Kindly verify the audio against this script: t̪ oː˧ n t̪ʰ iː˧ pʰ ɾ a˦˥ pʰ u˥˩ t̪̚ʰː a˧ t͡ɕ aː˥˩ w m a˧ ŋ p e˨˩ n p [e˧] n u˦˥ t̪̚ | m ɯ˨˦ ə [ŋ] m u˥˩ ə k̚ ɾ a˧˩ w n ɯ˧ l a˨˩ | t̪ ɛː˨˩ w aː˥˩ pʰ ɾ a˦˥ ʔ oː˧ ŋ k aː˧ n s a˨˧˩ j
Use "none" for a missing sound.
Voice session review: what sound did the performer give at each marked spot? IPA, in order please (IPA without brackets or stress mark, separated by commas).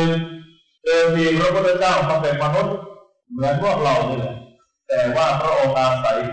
a˧, n